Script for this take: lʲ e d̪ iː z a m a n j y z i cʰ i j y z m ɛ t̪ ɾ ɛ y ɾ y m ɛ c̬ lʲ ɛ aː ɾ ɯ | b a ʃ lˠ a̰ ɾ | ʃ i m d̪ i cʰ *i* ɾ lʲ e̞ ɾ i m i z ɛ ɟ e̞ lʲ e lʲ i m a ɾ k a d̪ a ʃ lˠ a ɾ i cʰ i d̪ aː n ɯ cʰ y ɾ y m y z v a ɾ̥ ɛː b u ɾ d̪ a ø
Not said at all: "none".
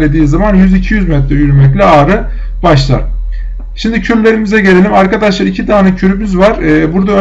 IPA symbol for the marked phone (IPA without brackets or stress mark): y